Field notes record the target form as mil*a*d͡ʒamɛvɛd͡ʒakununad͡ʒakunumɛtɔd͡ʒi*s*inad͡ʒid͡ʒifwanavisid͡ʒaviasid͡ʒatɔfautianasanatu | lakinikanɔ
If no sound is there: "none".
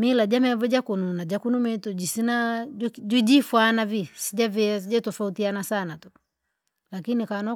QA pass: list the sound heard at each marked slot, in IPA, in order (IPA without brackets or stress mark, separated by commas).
a, s